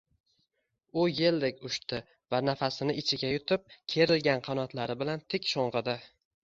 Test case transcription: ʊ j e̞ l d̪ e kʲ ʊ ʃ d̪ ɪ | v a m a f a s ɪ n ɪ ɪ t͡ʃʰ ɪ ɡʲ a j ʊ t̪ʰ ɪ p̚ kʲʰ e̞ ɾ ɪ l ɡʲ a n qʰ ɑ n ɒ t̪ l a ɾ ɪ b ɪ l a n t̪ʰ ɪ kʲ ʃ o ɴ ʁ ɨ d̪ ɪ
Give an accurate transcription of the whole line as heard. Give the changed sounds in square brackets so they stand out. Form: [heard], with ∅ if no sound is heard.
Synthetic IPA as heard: ʊ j e̞ l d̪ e kʲ ʊ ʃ [t̪] ɪ | v a [n] a f a s ɪ n ɪ ɪ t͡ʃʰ ɪ ɡʲ a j ʊ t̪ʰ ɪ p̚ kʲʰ e̞ ɾ ɪ l ɡʲ a n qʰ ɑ n ɒ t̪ l a ɾ ɪ b ɪ l a n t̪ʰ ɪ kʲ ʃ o ɴ ʁ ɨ d̪ ɪ